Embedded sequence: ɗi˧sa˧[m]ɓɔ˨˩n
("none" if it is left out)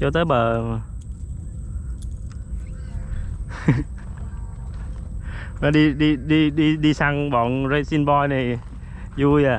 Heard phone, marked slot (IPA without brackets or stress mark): ŋ